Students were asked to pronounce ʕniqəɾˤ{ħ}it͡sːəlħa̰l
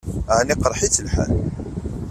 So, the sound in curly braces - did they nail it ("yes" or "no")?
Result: yes